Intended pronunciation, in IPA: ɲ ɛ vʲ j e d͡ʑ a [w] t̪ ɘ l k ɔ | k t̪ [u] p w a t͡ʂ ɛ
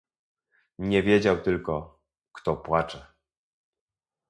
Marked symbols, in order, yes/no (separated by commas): yes, no